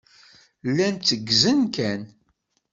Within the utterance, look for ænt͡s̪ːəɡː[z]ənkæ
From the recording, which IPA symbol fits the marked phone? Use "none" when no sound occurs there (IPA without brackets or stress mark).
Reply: z